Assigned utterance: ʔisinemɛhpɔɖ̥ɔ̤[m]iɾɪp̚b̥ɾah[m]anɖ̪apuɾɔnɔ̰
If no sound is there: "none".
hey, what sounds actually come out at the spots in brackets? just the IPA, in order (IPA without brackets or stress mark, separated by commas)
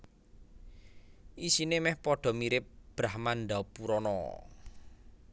m, m